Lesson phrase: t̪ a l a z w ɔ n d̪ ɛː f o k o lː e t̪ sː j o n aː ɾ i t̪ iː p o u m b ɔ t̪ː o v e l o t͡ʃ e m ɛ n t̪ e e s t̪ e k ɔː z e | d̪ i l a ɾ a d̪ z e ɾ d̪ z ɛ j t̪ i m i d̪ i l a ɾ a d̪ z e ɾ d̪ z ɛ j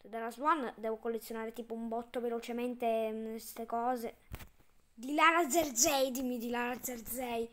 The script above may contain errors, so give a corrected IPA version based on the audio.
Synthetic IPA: d̪ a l a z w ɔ n d̪ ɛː v o k o lː e t̪ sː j o n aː ɾ e t̪ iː p o u m b ɔ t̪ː o v e l o t͡ʃ e m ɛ n t̪ e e s t̪ e k ɔː z e | d̪ i l a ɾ a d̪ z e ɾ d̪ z ɛ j d̪ i m i d̪ i l a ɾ a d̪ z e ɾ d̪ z ɛ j